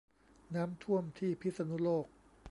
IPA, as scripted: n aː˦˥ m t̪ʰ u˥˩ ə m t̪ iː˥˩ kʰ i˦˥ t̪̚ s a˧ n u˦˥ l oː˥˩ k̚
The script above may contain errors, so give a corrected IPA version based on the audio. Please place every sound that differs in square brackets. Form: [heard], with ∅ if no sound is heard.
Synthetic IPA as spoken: n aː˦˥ m t̪ʰ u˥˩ ə m [t̪ʰ] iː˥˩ [pʰ] i˦˥ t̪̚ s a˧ n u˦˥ l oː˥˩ k̚